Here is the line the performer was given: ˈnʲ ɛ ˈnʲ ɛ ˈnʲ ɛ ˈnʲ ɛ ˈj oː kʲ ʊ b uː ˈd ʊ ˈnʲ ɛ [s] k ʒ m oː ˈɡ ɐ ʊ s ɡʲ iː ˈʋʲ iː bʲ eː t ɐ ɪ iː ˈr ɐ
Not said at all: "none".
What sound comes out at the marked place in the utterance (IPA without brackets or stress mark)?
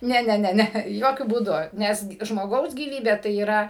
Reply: s